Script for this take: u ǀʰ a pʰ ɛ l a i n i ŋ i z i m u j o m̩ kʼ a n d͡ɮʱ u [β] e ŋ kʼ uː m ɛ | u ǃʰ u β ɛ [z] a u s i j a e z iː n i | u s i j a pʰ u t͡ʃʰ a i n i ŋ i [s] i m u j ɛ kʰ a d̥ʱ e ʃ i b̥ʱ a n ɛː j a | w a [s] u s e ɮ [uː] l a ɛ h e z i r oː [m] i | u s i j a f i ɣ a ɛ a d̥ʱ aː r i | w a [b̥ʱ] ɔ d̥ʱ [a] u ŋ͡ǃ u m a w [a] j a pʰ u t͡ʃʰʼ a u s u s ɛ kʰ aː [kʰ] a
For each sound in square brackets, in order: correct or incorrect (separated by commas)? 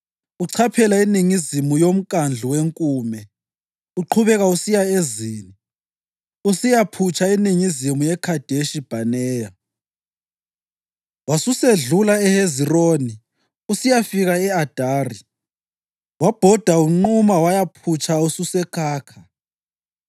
incorrect, incorrect, incorrect, correct, incorrect, incorrect, correct, correct, correct, correct